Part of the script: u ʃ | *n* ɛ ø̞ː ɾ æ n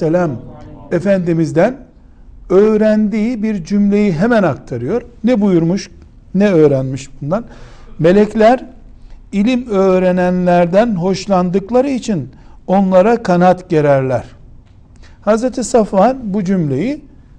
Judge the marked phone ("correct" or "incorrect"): correct